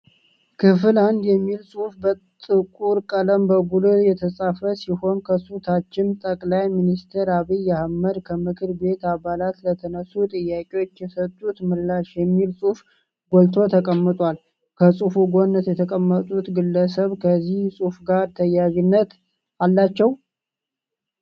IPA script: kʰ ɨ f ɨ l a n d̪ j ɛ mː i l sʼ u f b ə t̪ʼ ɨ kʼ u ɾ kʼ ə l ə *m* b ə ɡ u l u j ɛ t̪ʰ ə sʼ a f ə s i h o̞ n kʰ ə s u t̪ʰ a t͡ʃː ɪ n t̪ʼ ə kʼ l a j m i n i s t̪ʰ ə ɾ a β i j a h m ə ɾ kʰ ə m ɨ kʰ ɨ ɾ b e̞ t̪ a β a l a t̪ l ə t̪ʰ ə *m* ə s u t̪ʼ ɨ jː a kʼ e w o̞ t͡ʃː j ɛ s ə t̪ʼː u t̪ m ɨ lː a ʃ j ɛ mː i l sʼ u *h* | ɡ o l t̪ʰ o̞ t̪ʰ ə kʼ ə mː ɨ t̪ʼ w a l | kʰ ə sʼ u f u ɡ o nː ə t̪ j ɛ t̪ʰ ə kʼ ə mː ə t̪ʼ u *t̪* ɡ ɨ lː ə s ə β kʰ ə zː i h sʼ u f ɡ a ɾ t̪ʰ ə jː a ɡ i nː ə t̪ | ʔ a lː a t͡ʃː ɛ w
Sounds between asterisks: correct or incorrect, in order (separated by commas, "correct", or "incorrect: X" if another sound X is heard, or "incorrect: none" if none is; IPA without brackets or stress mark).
correct, incorrect: n, incorrect: f, correct